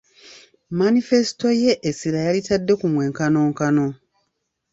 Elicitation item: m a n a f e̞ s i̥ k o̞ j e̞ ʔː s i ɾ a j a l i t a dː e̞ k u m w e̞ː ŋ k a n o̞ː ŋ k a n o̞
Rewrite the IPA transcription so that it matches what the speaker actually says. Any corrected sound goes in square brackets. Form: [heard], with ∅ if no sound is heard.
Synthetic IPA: m a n [i] f e̞ s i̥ [t] o̞ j e̞ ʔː s i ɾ a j a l i t a dː e̞ k u m w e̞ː ŋ k a n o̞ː ŋ k a n o̞